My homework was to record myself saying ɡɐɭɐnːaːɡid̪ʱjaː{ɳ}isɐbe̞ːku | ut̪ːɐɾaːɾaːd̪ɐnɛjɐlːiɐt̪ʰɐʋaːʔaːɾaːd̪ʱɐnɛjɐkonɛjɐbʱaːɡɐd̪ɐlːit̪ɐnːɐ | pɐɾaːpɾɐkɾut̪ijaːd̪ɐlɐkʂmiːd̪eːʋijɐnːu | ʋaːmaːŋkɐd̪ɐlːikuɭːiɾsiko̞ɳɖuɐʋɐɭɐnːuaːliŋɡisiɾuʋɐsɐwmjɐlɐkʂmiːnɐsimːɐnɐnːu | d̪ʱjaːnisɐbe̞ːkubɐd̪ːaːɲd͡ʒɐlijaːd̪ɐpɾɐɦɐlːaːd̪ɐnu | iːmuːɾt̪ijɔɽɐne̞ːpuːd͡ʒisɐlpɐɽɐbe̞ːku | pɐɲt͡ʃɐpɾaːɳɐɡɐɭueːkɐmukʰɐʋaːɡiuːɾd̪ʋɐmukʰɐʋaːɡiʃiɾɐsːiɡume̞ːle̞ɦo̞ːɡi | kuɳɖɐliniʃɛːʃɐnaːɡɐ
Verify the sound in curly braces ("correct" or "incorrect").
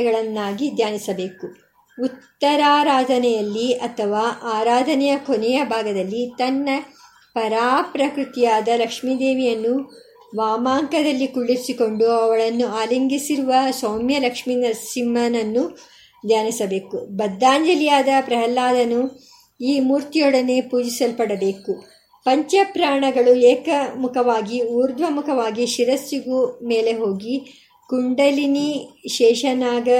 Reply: incorrect